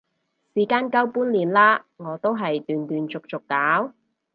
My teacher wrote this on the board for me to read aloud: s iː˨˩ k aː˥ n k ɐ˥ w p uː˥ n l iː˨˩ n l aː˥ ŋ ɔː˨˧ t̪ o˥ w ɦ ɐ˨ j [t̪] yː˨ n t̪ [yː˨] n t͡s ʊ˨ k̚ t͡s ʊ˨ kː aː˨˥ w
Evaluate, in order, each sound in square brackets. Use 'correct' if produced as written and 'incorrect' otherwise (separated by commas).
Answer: correct, correct